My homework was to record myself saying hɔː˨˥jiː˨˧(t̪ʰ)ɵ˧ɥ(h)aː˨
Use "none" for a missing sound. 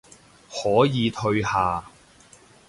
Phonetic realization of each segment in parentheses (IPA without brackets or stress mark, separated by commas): t̪ʰ, h